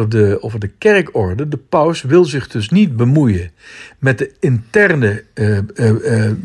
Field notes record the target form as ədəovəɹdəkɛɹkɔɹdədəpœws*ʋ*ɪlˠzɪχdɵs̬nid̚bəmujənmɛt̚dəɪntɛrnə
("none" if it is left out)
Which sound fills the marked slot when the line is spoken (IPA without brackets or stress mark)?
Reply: ʋ